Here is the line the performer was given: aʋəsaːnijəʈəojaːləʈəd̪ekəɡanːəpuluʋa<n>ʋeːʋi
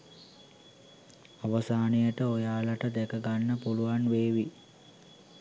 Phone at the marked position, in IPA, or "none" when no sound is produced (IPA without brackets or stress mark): n